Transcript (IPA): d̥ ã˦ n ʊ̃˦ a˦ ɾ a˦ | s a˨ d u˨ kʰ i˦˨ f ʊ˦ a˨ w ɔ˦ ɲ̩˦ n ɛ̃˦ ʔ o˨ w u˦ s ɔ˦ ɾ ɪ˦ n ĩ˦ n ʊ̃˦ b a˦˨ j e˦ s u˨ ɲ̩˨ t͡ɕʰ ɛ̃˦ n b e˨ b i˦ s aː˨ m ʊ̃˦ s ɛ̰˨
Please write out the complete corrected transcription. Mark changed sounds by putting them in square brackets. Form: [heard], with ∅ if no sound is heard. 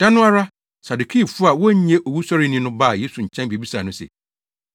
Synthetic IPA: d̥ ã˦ n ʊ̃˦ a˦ ɾ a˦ | s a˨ d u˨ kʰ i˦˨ f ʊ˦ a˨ w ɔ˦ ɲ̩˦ [ɲ] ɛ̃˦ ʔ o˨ w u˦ s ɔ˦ ɾ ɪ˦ n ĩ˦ n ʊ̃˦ b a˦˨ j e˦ s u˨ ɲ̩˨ t͡ɕʰ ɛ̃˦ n b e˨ b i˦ s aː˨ [n] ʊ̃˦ s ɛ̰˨